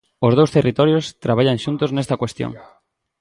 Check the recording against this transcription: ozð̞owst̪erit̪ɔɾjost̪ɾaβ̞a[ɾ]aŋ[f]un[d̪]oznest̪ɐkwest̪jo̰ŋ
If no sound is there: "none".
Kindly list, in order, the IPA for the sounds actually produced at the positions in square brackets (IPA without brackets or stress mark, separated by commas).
ʎ, ʃ, t̪